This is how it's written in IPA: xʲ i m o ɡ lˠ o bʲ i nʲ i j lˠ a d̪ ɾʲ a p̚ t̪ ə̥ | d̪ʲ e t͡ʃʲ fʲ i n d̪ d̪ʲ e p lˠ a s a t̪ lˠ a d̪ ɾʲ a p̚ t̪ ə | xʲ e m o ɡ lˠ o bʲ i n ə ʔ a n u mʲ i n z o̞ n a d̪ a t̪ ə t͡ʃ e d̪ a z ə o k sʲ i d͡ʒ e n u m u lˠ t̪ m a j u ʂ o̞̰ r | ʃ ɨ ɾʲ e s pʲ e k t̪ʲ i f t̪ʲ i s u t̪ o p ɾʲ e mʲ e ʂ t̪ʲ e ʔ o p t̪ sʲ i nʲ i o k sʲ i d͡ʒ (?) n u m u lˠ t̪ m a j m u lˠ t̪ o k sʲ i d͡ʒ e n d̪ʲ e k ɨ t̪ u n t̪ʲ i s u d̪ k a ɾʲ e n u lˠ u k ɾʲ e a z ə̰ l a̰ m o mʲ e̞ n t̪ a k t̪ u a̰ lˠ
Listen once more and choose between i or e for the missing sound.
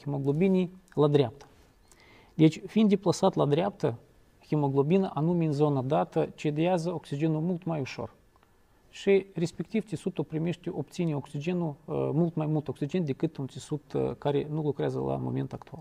e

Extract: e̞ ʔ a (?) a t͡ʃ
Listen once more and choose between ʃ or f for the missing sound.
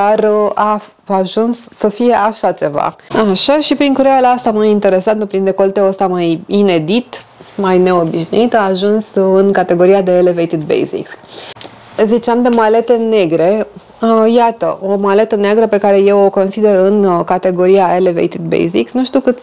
ʃ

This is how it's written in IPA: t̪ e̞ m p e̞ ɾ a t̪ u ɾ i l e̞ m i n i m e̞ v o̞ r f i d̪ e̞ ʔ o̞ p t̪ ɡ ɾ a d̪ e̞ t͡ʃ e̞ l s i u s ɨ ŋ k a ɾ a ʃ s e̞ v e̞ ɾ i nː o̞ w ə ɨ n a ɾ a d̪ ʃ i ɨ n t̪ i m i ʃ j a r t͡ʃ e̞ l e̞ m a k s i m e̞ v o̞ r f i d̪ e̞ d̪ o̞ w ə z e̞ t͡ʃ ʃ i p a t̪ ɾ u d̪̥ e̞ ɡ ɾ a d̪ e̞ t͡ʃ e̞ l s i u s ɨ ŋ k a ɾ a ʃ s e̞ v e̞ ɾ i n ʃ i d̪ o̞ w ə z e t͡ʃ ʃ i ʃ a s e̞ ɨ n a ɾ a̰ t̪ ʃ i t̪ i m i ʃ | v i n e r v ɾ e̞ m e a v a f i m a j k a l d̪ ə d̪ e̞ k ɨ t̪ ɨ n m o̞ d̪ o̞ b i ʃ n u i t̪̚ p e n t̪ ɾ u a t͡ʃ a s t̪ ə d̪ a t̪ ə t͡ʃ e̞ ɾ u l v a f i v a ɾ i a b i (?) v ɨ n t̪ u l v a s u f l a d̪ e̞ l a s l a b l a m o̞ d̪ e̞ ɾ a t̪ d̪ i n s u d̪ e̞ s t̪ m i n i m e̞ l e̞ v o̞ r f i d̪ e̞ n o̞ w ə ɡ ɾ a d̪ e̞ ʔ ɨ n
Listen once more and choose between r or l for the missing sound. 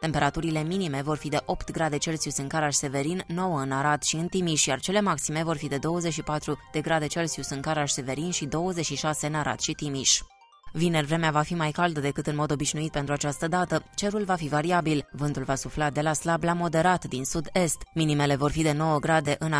l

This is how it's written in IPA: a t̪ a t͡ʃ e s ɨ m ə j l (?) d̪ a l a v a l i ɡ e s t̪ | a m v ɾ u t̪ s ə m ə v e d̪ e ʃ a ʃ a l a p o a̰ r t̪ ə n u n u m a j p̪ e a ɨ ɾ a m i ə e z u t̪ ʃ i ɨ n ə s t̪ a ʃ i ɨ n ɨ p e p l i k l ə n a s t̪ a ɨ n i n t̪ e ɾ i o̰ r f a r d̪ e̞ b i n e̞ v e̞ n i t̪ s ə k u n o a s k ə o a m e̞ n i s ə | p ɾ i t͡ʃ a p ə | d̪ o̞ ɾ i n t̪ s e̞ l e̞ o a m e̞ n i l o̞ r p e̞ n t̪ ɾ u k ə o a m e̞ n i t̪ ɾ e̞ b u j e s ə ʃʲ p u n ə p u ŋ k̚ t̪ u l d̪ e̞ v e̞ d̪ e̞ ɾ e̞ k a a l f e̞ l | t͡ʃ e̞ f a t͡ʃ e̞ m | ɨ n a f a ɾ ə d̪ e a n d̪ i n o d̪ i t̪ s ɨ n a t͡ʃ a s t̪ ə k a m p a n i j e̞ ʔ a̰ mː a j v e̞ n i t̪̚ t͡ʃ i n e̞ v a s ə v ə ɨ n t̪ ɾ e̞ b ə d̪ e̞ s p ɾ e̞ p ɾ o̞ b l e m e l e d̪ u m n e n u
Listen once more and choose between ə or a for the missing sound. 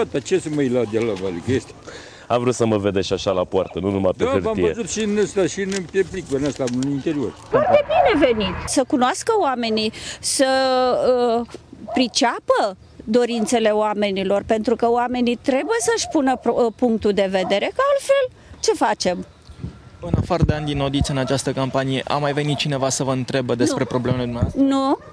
a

